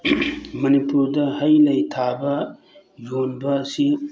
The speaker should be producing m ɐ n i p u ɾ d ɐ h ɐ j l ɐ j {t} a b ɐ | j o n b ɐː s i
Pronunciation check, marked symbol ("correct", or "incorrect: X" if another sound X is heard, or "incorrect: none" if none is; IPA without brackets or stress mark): incorrect: tʰ